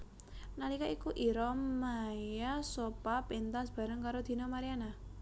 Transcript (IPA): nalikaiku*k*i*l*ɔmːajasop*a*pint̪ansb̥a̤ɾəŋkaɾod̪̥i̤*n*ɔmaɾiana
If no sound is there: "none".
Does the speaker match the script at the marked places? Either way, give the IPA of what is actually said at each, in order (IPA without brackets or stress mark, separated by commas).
ʔ, ɾ, a, n